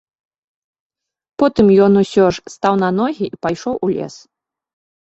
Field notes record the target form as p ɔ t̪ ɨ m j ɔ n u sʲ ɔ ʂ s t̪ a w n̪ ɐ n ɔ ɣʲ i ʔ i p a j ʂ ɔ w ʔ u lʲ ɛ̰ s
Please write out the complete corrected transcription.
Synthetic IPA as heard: p ɔ t̪ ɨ m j ɔ n u sʲ ɔ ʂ s t̪ a w n̪ ɐ n ɔ ɣʲ i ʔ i p a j ʂ ɔ w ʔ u lʲ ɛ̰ s